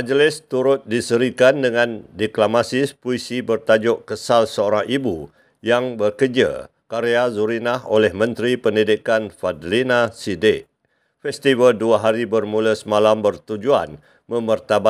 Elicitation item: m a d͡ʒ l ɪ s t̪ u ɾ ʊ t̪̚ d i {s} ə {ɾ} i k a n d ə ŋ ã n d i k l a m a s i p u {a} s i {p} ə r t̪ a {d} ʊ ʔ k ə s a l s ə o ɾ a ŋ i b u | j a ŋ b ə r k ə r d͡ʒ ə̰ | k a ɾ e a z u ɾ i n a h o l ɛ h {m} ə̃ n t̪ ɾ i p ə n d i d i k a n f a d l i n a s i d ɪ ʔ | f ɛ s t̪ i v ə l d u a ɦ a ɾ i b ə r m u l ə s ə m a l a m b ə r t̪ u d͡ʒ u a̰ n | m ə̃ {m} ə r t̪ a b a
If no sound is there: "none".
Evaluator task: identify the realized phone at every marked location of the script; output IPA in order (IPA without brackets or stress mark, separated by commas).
s, ɾ, i, b, d͡ʒ, m, m